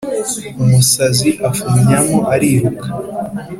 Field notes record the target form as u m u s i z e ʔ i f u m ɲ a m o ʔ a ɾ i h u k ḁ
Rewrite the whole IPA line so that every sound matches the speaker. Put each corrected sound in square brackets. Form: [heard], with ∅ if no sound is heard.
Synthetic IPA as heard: u m u s [a] z [i] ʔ [a] f u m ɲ a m o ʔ a ɾ i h u k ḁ